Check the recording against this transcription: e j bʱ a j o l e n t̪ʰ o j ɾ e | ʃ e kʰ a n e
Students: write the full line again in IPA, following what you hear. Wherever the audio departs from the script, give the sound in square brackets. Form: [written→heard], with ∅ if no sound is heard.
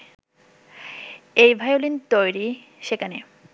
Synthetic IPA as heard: e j bʱ a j o l [e→i] n [t̪ʰ→t̪] o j ɾ [e→i] | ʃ e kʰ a n e